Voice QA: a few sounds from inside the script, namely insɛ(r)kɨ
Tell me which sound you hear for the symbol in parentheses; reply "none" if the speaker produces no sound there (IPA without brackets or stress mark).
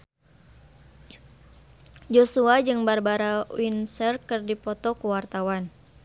r